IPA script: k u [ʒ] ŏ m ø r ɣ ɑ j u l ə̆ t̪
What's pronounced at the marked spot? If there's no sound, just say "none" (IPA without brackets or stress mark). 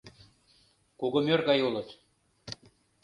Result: ɣ